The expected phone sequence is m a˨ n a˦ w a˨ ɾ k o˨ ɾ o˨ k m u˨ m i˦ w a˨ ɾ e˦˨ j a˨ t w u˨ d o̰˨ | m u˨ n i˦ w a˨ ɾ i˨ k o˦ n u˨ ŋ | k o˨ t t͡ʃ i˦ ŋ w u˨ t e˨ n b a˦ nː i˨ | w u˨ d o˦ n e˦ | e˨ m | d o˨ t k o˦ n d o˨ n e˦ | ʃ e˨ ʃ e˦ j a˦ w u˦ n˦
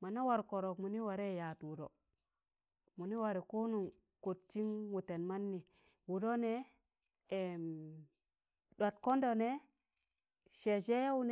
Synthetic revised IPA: m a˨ n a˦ w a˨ ɾ k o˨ ɾ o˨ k m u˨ n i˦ w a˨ ɾ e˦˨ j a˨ t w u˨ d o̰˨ | m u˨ n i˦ w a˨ ɾ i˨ k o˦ n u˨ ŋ | k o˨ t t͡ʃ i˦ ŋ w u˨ t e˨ n m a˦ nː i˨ | w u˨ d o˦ n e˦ | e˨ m | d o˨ t k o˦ n d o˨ n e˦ | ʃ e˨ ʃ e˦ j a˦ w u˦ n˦